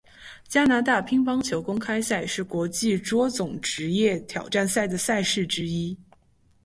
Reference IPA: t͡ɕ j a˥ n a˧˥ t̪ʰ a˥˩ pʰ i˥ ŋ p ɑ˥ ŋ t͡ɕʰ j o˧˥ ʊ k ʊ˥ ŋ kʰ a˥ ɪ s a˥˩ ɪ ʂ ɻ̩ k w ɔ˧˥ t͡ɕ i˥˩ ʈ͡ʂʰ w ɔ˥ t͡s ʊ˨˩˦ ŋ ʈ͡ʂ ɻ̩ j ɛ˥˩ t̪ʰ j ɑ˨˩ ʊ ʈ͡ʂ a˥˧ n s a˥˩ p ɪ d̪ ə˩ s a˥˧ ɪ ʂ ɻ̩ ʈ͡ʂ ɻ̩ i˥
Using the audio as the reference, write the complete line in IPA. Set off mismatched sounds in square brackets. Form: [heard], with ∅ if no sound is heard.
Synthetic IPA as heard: t͡ɕ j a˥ n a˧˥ [t̪] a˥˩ pʰ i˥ ŋ p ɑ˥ ŋ t͡ɕʰ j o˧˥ ʊ k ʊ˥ ŋ kʰ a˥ ɪ s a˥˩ ɪ ʂ ɻ̩ k w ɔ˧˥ t͡ɕ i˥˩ [ʈ͡ʂ] w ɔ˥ t͡s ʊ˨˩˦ ŋ ʈ͡ʂ ɻ̩ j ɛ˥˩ t̪ʰ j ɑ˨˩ ʊ ʈ͡ʂ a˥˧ n s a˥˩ [∅] ɪ d̪ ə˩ s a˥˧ ɪ ʂ ɻ̩ ʈ͡ʂ ɻ̩ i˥

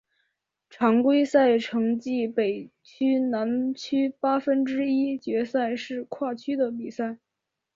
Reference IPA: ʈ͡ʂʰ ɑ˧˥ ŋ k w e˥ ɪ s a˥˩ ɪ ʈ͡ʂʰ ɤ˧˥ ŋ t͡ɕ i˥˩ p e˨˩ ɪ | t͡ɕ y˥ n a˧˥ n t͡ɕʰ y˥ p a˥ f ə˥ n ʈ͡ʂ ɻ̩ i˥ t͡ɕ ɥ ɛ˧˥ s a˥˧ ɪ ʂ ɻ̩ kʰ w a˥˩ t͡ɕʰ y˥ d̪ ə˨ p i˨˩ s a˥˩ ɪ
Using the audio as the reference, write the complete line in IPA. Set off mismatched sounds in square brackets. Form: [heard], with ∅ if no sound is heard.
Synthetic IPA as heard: ʈ͡ʂʰ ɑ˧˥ ŋ k w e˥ ɪ s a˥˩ ɪ ʈ͡ʂʰ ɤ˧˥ ŋ t͡ɕ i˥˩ p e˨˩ ɪ | [t͡ɕʰ] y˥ n a˧˥ n t͡ɕʰ y˥ p a˥ f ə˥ n ʈ͡ʂ ɻ̩ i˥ t͡ɕ ɥ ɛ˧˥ s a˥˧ ɪ ʂ ɻ̩ kʰ w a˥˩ t͡ɕʰ y˥ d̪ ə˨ p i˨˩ s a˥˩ ɪ

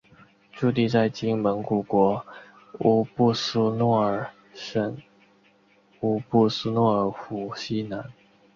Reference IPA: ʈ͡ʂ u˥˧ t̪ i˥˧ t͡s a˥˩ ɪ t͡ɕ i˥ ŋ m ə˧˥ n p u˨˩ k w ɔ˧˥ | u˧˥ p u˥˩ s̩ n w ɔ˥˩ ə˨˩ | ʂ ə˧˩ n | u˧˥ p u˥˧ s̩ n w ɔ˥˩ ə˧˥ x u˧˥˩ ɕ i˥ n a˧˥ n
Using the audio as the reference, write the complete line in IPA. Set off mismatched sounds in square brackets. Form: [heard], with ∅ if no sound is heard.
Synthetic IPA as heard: ʈ͡ʂ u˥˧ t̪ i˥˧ t͡s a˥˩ ɪ t͡ɕ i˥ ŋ m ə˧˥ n [k] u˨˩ k w ɔ˧˥ | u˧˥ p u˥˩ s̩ n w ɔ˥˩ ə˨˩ | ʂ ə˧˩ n | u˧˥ p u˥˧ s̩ n w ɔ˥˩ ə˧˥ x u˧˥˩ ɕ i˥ n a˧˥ n

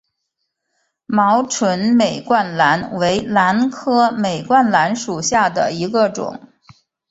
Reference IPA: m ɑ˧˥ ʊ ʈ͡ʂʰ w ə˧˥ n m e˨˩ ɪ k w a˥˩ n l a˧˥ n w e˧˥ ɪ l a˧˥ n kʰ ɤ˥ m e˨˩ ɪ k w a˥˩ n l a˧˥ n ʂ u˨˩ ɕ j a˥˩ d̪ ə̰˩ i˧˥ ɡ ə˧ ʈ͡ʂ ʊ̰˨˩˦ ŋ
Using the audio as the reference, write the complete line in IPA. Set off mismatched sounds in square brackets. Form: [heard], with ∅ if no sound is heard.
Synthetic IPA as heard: m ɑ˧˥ ʊ ʈ͡ʂʰ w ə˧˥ n m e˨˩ ɪ k w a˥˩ n l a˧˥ n w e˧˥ ɪ l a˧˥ n kʰ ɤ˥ m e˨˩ ɪ k w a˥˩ n l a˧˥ n ʂ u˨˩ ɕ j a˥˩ d̪ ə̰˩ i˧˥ ɡ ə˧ ʈ͡ʂ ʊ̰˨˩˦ ŋ

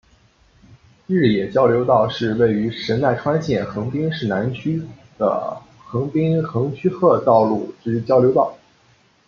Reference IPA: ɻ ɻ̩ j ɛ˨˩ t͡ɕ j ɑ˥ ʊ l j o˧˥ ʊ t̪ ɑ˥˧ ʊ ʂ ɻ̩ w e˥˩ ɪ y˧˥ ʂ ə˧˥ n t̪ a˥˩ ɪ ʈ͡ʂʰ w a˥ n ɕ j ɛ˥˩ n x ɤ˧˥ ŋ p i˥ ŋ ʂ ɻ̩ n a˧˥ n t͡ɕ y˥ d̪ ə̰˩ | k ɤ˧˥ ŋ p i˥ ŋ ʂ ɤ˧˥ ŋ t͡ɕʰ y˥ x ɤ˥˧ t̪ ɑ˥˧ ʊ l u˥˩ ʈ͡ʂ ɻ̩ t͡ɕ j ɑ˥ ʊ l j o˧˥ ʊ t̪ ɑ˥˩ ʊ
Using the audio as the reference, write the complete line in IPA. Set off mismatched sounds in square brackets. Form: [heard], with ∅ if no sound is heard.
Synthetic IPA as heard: ɻ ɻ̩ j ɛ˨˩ t͡ɕ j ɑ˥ ʊ l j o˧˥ ʊ t̪ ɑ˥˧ ʊ ʂ ɻ̩ w e˥˩ ɪ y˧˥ ʂ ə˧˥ n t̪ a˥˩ ɪ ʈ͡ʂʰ w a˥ n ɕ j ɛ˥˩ n x ɤ˧˥ ŋ p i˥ ŋ ʂ ɻ̩ n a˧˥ n [t͡ɕʰ] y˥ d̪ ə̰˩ | [x] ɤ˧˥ ŋ p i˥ ŋ [x] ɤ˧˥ ŋ t͡ɕʰ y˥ x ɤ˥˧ t̪ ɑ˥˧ ʊ l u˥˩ ʈ͡ʂ ɻ̩ t͡ɕ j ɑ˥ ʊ l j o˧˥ ʊ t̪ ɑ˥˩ ʊ

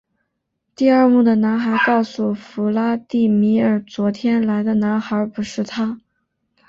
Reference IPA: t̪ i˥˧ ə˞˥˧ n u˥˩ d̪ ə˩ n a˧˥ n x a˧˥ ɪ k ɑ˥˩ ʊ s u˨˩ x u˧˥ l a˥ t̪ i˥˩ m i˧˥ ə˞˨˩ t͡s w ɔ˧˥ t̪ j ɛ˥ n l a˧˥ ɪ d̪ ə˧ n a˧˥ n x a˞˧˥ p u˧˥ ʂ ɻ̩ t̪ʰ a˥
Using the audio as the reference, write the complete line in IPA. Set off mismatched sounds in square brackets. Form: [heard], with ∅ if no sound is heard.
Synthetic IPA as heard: t̪ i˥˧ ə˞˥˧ [m] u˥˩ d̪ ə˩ n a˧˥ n x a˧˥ ɪ k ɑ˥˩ ʊ s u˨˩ [f] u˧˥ l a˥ t̪ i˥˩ m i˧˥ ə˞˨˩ t͡s w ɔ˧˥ [t̪ʰ] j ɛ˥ n l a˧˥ ɪ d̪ ə˧ n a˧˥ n x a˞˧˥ p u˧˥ ʂ ɻ̩ t̪ʰ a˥

